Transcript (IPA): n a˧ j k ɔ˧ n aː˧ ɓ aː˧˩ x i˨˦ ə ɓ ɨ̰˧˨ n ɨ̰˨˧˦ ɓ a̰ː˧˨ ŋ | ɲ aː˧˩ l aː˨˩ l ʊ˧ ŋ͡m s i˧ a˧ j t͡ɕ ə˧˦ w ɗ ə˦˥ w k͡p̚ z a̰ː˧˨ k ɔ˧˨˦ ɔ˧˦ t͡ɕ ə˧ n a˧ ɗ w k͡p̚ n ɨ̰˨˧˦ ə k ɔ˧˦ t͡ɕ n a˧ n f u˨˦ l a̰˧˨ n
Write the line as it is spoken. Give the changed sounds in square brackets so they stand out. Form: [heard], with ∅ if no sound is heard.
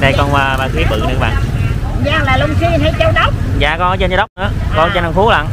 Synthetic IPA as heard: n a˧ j k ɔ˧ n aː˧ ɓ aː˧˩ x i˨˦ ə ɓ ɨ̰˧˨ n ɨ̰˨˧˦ ɓ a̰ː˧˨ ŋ | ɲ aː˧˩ l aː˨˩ l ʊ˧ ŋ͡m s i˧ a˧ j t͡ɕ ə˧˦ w ɗ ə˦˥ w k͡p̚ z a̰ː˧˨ k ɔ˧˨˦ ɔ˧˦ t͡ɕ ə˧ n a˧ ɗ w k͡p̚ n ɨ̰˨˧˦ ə k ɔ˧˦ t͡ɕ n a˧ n f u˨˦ l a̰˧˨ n